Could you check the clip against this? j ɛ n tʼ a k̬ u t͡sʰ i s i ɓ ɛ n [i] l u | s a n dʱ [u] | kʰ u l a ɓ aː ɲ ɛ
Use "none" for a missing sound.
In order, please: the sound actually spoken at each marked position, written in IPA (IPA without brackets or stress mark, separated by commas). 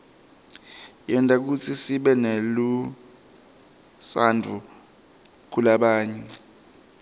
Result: e, u